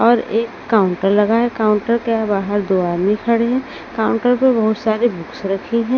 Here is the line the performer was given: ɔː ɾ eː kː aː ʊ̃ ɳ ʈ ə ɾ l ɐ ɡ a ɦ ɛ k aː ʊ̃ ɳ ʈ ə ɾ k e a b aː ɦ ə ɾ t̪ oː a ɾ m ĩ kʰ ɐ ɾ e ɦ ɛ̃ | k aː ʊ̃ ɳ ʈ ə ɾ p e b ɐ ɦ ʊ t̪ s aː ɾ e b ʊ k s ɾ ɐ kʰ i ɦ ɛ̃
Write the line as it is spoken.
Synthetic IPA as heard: ɔː ɾ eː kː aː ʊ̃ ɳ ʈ ə ɾ l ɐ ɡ a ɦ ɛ k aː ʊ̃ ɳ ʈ ə ɾ k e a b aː ɦ ə ɾ d̪ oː a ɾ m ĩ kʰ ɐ ɽ e ɦ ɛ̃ | k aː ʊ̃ ɳ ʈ ə ɾ p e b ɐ ɦ ʊ t̪ s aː ɾ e b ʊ k s ɾ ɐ kʰ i ɦ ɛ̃